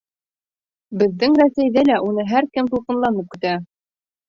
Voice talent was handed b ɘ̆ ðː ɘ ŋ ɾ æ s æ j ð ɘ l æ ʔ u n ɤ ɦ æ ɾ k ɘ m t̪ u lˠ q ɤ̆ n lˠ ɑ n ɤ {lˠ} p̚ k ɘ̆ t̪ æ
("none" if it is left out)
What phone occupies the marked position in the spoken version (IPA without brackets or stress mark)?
none